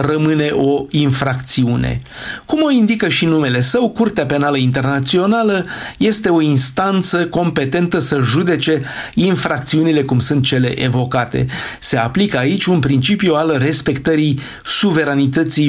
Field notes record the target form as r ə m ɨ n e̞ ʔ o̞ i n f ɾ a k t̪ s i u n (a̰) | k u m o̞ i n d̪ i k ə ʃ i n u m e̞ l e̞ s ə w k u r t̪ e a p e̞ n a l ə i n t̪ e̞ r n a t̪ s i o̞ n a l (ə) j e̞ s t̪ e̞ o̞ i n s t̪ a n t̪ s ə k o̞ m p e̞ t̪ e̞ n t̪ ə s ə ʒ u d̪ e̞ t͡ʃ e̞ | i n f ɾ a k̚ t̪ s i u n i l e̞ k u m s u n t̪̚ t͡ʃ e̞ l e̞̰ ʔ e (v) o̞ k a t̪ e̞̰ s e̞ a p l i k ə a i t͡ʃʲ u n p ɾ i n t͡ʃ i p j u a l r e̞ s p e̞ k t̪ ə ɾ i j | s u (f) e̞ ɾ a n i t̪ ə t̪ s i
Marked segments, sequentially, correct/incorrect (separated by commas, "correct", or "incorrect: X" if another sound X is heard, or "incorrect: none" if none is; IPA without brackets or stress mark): incorrect: ḛ, correct, correct, incorrect: v